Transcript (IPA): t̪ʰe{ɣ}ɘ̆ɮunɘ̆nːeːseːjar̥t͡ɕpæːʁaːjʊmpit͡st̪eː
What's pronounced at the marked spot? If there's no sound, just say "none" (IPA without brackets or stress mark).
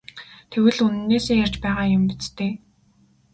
w